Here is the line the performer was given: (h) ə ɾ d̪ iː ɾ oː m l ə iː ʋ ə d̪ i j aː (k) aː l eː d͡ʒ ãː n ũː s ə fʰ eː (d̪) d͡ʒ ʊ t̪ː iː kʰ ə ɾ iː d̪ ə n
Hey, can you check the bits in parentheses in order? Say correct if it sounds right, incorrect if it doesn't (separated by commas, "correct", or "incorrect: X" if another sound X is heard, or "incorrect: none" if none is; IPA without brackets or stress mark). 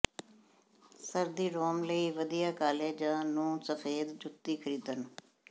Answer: incorrect: s, correct, correct